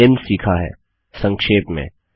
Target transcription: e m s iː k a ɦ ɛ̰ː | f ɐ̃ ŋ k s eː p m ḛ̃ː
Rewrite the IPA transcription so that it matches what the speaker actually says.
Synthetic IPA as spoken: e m s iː kʰ a ɦ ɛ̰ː | s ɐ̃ ŋ k ʃ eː p m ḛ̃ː